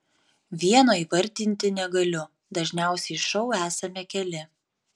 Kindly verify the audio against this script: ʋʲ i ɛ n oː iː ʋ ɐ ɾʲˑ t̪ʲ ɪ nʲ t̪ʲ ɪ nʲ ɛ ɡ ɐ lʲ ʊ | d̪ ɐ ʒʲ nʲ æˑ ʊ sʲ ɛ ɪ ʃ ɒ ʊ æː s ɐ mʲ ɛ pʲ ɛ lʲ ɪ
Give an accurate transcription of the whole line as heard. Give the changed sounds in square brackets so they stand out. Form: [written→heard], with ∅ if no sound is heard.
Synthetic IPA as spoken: ʋʲ i ɛ n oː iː ʋ ɐ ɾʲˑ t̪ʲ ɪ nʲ t̪ʲ ɪ nʲ ɛ ɡ ɐ lʲ ʊ | d̪ ɐ ʒʲ nʲ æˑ ʊ sʲ ɛ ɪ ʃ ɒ ʊ æː s ɐ mʲ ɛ [pʲ→kʲ] ɛ lʲ ɪ